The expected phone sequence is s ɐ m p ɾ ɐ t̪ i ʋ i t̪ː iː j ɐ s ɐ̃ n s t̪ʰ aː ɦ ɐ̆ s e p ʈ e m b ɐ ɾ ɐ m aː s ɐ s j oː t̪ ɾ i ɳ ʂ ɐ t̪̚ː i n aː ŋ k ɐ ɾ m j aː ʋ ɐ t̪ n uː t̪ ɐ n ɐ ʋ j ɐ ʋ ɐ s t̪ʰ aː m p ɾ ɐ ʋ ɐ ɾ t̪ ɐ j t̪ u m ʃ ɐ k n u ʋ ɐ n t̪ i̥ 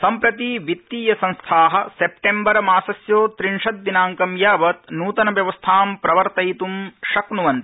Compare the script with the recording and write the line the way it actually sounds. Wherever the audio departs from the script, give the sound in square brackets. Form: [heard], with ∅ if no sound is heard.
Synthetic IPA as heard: s ɐ m p ɾ ɐ t̪ i ʋ i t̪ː iː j ɐ s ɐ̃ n s t̪ʰ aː ɦ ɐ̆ s e p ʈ e m b ɐ ɾ ɐ m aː s ɐ s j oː t̪ ɾ i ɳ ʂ ɐ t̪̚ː i n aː ŋ k ɐ [∅] m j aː ʋ ɐ t̪ n uː t̪ ɐ n ɐ ʋ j ɐ ʋ ɐ s t̪ʰ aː m p ɾ ɐ ʋ ɐ ɾ t̪ ɐ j t̪ u m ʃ ɐ k n u ʋ ɐ n t̪ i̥